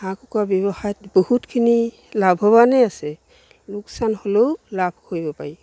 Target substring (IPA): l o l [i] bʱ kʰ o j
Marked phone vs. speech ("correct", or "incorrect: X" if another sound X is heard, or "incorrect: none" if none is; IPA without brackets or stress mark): incorrect: a